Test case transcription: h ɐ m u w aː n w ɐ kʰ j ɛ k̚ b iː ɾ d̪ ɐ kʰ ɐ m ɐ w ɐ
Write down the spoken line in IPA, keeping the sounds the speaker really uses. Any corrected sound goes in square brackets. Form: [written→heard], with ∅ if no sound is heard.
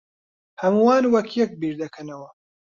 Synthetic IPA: h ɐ m u w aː n w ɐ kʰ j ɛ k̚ b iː ɾ d̪ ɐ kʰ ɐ [m→n] ɐ w ɐ